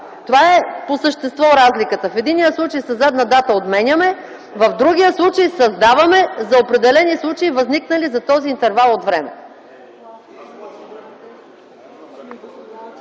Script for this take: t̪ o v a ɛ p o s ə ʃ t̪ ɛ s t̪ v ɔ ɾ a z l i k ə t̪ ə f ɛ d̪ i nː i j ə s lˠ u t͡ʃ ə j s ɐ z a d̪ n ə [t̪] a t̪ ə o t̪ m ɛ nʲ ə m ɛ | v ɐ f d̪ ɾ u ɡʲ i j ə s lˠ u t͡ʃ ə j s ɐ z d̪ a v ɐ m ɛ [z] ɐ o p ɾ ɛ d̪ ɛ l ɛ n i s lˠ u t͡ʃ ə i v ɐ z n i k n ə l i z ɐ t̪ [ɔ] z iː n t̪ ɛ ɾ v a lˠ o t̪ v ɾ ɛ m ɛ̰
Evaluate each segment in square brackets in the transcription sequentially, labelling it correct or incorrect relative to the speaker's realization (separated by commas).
incorrect, correct, correct